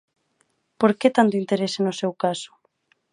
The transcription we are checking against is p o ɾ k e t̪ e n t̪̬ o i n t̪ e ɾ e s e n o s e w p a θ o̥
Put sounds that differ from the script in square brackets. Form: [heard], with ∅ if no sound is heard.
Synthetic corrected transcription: p o ɾ k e t̪ [a] n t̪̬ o i n t̪ e ɾ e s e n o s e w [k] a [s] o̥